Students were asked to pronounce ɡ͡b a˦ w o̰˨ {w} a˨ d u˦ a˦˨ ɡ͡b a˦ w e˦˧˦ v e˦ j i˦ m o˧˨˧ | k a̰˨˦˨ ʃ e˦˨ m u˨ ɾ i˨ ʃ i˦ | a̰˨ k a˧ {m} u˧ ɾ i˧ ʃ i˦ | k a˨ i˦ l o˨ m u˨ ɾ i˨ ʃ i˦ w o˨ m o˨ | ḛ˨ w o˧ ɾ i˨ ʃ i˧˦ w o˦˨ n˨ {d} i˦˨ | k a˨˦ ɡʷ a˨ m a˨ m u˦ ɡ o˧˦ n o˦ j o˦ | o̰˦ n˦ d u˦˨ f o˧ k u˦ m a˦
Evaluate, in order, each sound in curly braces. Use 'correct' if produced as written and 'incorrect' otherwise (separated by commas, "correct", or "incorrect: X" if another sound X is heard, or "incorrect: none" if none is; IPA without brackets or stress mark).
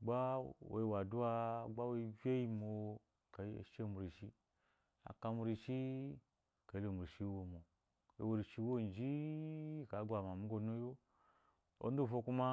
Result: correct, correct, incorrect: d͡ʒ